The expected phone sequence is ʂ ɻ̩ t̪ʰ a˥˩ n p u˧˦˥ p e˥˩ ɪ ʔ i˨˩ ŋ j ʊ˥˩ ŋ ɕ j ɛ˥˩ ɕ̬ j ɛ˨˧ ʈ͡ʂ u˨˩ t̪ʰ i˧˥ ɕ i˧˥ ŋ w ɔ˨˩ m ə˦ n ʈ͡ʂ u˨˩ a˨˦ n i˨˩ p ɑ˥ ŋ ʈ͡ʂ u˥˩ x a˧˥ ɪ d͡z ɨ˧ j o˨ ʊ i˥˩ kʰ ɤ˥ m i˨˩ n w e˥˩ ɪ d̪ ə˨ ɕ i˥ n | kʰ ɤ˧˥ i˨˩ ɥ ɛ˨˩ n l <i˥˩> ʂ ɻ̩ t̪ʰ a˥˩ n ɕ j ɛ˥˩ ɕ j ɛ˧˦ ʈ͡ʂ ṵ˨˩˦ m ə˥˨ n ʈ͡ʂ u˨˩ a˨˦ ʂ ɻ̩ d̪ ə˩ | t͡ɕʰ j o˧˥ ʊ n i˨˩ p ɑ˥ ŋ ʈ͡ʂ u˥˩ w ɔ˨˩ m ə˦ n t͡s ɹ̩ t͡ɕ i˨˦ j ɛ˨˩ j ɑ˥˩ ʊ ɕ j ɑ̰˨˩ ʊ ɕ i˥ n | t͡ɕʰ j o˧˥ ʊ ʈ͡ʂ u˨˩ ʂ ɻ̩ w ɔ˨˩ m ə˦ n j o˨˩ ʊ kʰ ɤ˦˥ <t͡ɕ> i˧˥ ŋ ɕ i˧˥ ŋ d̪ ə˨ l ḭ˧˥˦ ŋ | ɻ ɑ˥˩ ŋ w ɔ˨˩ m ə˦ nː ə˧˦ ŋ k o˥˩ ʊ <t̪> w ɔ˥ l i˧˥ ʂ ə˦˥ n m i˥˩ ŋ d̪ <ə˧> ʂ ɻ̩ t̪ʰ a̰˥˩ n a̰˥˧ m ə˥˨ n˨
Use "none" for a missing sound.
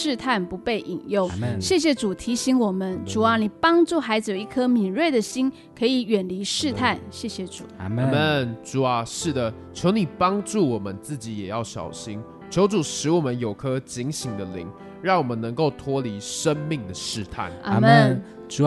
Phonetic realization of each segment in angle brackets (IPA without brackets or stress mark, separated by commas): i˧˥, t͡ɕ, t̪ʰ, ə˩